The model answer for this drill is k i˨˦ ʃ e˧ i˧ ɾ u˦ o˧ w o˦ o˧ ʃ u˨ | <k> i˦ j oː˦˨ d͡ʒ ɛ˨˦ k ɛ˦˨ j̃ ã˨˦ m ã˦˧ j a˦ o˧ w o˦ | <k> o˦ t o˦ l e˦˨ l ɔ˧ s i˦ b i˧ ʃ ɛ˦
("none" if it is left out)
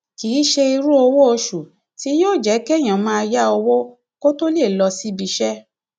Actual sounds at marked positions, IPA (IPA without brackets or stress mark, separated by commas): t, k